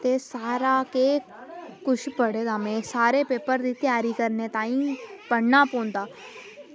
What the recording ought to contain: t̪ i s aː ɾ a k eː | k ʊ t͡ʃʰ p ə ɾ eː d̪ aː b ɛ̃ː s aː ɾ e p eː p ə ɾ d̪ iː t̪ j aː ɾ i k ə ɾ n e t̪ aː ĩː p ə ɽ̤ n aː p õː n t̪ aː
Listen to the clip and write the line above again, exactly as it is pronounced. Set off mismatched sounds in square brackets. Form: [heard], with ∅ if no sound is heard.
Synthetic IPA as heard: t̪ [e] s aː ɾ a k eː | k ʊ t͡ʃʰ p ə [ɽ] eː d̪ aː [m] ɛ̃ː s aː ɾ e p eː p ə ɾ d̪ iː t̪ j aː ɾ i k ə ɾ n e t̪ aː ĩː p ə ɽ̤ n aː p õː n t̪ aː